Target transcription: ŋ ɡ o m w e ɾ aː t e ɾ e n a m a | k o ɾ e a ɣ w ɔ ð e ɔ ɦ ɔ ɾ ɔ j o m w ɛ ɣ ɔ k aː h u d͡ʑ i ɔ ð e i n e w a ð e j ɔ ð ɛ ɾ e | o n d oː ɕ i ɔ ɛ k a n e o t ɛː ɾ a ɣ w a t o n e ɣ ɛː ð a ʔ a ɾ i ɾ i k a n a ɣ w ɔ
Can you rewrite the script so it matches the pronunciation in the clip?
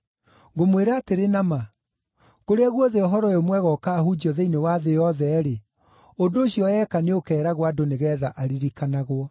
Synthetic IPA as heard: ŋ ɡ o m w e ɾ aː t e ɾ e n a m a | k o ɾ e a ɣ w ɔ ð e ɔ ɦ ɔ ɾ ɔ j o m w ɛ ɣ ɔ k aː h u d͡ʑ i ɔ ð e i n e w a ð e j ɔ ð ɛ ɾ e | o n d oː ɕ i ɔ ɛ k a n e o k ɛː ɾ a ɣ w a d o n e ɣ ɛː ð a ʔ a ɾ i ɾ i k a n a ɣ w ɔ